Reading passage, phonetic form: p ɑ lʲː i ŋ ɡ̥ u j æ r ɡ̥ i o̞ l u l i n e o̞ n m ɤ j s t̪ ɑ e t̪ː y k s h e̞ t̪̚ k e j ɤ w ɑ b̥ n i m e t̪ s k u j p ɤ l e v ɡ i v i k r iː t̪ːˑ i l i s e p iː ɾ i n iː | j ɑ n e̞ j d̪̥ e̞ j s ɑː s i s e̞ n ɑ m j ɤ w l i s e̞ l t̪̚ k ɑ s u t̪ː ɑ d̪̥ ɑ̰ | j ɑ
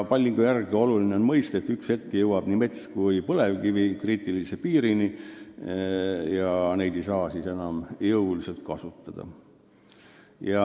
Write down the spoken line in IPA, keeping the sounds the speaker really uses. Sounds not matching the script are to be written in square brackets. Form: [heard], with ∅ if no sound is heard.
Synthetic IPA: p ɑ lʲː i ŋ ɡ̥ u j æ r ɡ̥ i o̞ l u l i n e o̞ n m ɤ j s t̪ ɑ e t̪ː y k s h e̞ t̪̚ k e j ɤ w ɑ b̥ n i m e t̪ s k u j p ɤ l e v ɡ i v i k r iː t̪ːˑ i l i s e p iː ɾ i n [i] | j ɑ n e̞ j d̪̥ e̞ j s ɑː s i s e̞ n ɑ m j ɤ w l i s e̞ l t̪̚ k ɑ s u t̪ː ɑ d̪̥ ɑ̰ | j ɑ